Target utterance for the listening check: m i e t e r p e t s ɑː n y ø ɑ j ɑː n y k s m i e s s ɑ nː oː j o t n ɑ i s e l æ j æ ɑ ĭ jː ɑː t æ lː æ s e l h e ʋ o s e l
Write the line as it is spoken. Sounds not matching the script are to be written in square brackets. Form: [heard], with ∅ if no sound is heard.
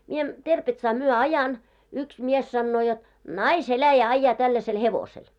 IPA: m i e t e r p e t s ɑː [m] y ø ɑ j [ɑ] n y k s m i e s s ɑ nː oː j o t n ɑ i s e l æ j æ ɑ ĭ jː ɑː t æ lː æ s e l h e ʋ o s e l